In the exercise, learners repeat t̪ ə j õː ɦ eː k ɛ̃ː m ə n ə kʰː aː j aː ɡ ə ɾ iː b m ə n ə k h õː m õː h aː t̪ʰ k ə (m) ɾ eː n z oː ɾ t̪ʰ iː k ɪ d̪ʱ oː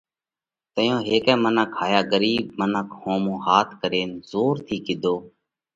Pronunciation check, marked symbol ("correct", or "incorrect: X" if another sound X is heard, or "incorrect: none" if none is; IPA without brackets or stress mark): incorrect: none